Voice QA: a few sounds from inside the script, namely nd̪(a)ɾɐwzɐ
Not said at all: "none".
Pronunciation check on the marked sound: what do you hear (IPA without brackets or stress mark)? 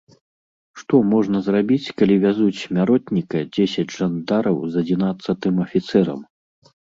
a